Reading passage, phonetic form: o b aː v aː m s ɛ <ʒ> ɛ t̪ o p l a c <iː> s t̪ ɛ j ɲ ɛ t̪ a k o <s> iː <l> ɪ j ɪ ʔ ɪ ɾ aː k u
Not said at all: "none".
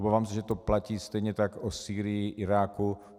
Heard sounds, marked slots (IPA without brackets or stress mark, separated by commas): ʒ, iː, s, ɾ